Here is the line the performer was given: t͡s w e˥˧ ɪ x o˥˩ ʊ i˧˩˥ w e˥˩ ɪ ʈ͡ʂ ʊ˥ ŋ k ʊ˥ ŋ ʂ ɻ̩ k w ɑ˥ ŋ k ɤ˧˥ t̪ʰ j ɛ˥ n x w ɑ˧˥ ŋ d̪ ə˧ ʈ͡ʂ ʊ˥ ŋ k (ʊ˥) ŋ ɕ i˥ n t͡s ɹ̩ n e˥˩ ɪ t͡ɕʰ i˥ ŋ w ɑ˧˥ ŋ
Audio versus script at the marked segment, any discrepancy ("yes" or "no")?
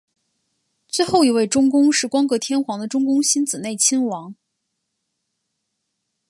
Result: no